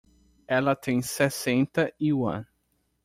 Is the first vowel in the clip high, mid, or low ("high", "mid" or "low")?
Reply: mid